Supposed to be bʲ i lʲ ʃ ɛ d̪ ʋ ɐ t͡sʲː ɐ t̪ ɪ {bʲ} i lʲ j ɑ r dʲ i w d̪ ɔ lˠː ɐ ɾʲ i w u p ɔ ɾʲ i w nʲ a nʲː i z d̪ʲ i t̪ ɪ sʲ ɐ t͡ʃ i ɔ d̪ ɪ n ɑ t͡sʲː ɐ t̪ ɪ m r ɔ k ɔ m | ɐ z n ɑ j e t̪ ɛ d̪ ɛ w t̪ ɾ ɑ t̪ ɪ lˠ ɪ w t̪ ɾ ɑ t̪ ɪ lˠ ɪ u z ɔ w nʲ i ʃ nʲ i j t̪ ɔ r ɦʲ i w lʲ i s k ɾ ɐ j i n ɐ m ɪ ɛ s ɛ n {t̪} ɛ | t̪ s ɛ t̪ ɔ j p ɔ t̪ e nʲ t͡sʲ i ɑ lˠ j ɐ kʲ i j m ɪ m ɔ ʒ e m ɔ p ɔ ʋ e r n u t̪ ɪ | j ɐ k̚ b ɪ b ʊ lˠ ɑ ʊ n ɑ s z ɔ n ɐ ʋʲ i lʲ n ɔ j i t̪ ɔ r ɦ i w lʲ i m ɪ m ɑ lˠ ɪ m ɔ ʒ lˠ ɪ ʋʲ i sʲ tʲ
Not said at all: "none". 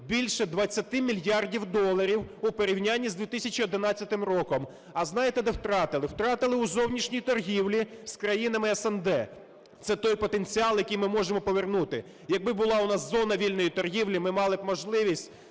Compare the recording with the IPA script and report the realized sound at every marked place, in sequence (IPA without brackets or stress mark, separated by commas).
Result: mʲ, d̪